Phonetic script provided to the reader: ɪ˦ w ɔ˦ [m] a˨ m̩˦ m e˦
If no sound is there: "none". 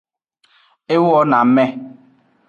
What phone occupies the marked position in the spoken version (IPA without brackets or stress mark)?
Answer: n